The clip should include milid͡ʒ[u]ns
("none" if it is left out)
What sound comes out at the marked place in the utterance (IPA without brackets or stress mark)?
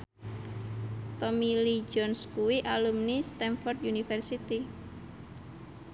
ɔ